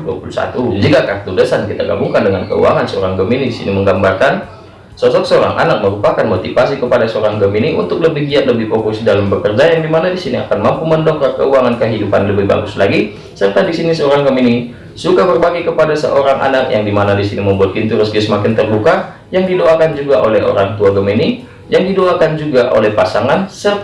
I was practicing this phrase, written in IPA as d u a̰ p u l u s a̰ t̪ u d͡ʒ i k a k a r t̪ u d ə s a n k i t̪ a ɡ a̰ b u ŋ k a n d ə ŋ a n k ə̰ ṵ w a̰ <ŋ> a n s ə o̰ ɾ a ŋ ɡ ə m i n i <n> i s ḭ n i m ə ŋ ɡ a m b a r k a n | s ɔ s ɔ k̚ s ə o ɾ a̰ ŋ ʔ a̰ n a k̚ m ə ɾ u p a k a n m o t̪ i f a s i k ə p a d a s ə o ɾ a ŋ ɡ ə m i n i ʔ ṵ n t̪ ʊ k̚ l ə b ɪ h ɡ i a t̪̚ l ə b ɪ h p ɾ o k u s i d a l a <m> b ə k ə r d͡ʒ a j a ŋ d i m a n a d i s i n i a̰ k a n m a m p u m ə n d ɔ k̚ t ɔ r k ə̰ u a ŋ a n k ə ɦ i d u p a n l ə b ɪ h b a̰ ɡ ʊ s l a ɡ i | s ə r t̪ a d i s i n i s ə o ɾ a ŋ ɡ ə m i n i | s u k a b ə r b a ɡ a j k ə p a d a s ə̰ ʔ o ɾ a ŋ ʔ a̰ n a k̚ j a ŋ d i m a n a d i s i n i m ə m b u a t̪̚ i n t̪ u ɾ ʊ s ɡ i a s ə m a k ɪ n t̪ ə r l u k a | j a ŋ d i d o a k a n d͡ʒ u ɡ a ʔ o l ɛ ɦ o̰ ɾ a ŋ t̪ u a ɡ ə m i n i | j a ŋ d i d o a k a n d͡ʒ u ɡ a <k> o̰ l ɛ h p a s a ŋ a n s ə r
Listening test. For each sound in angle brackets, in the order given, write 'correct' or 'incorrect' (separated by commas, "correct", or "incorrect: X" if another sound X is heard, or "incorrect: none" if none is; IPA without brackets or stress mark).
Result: correct, incorrect: d, correct, incorrect: ʔ